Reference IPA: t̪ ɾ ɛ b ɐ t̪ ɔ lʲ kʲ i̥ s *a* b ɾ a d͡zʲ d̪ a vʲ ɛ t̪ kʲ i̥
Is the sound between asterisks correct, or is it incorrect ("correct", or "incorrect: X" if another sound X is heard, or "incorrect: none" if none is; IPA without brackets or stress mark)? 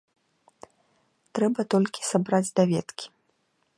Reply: correct